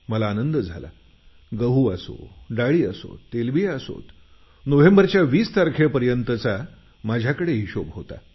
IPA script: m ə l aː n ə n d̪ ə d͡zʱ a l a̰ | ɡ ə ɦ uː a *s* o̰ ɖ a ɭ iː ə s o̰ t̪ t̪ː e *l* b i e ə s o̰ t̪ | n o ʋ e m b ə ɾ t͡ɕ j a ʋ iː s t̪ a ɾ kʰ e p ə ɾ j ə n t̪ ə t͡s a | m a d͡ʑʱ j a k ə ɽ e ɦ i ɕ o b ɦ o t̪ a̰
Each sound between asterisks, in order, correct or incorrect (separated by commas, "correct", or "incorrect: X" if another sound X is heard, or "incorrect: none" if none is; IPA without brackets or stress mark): correct, correct